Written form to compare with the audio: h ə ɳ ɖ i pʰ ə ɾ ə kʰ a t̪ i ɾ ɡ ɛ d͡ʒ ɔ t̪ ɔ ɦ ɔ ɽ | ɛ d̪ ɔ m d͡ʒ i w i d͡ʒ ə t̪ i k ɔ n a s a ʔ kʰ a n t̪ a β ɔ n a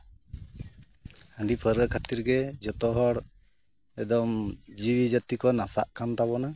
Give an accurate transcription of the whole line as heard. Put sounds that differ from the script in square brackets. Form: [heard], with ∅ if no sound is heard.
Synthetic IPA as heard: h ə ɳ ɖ i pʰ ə ɾ ə kʰ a t̪ i ɾ ɡ ɛ d͡ʒ ɔ t̪ ɔ ɦ ɔ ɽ | ɛ d̪ ɔ m d͡ʒ i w i d͡ʒ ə t̪ i k ɔ n a s a ʔ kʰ a n t̪ a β ɔ n a